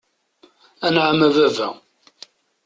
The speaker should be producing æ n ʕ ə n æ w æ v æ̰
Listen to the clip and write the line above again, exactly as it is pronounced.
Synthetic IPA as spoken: æ n ʕ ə m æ v æ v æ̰